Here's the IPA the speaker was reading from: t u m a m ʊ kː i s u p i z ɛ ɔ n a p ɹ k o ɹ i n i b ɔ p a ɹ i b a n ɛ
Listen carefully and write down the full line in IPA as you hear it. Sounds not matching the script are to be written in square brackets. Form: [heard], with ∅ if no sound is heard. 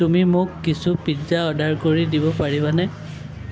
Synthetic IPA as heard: t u m [i] m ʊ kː i s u p i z [a] ɔ [d] a [∅] ɹ k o ɹ i [d] i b ɔ p a ɹ i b a n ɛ